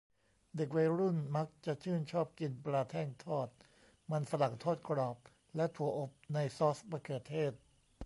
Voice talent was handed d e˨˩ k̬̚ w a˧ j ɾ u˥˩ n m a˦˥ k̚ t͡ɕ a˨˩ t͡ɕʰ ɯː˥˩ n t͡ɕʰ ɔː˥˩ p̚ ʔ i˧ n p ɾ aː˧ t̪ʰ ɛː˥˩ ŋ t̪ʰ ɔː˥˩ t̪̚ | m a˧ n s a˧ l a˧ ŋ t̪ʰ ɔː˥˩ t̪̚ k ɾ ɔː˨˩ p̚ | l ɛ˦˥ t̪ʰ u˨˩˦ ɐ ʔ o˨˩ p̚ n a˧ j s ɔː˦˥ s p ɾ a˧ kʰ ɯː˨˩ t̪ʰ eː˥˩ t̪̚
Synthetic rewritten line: d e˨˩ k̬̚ w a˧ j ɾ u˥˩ n m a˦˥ k̚ t͡ɕ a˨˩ t͡ɕʰ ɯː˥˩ n t͡ɕʰ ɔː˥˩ p̚ k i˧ n p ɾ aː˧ t̪ʰ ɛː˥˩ ŋ t̪ʰ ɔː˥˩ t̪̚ | m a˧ n s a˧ l a˨˩ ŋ t̪ʰ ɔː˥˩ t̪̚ k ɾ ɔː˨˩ p̚ | l ɛ˦˥ t̪ʰ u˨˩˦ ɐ ʔ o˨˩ p̚ n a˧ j s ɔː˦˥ s p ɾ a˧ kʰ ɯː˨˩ t̪ʰ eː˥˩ t̪̚

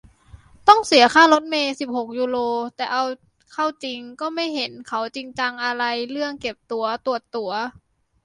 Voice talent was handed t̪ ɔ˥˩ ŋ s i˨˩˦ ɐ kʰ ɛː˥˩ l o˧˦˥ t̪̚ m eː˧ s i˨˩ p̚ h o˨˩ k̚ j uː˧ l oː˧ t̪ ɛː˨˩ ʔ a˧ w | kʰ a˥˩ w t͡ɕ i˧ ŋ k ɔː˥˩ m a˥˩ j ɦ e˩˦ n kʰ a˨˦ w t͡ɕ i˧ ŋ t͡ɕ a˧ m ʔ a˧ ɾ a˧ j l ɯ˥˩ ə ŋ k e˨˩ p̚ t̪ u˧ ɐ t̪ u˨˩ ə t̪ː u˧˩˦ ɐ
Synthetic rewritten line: t̪ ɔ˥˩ ŋ s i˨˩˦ ɐ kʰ aː˥˩ l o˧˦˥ t̪̚ m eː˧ s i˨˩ p̚ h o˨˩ k̚ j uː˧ l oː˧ t̪ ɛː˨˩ ʔ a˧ w | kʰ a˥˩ w t͡ɕ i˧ ŋ k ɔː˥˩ m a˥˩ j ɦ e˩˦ n kʰ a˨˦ w t͡ɕ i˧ ŋ t͡ɕ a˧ ŋ ʔ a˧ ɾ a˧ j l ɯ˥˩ ə ŋ k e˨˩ p̚ t̪ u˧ ɐ t̪ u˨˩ ə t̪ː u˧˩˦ ɐ

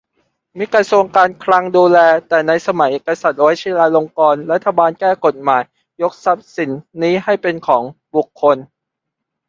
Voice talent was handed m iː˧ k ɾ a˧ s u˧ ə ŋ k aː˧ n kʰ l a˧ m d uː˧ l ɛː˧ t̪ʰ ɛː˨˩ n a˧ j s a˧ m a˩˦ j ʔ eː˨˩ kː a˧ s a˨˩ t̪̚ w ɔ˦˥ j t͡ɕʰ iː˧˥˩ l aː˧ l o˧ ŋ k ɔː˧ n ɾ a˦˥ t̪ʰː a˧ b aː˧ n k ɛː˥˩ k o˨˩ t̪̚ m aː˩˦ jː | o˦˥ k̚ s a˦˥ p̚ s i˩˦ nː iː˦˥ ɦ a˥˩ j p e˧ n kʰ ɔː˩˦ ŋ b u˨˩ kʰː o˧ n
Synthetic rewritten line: m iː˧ k ɾ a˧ s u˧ ə ŋ k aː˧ n kʰ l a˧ ŋ d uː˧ l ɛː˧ t̪ ɛː˨˩ n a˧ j s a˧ m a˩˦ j ʔ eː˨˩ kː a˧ s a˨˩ t̪̚ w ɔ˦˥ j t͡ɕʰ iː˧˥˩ l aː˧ l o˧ ŋ k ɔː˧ n ɾ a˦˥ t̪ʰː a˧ b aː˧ n k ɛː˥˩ k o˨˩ t̪̚ m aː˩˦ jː | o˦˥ k̚ s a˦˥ p̚ s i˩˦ nː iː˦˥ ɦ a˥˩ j p e˧ n kʰ ɔː˩˦ ŋ b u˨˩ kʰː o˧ n

